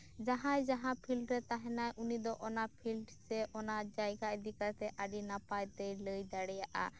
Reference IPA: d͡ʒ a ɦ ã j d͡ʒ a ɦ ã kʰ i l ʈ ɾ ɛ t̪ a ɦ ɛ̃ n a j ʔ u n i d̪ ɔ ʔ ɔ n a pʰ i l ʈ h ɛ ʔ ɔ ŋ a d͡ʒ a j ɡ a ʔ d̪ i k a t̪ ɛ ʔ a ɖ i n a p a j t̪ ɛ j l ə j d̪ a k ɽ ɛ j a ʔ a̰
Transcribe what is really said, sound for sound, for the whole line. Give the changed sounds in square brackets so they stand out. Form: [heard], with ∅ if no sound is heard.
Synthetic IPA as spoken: d͡ʒ a ɦ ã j d͡ʒ a ɦ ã [pʰ] i l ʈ ɾ ɛ t̪ a ɦ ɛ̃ n a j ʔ u n i d̪ ɔ ʔ ɔ n a pʰ i l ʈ [s] ɛ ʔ ɔ [n] a d͡ʒ a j ɡ a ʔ d̪ i k a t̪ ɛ ʔ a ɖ i n a p a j t̪ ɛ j l ə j d̪ a [∅] ɽ ɛ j a ʔ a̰